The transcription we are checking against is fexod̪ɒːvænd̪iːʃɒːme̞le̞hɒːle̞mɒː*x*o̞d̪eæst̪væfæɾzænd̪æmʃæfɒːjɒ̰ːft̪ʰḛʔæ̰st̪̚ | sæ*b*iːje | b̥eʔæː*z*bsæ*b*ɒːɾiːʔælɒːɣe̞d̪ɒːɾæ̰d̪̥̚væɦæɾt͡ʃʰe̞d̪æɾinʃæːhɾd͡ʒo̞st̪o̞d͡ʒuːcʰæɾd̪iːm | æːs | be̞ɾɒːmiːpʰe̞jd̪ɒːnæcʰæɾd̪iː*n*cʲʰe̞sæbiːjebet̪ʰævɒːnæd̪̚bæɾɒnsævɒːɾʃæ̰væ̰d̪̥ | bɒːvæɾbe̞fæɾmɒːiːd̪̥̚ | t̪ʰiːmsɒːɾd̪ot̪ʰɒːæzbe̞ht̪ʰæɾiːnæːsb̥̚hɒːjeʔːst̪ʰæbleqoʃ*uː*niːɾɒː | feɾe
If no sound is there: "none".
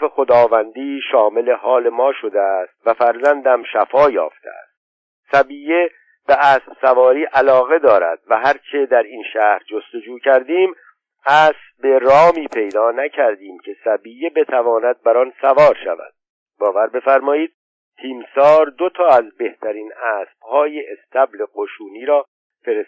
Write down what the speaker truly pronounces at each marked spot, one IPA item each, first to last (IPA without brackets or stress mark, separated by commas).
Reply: ʃ, b, s, v, m, uː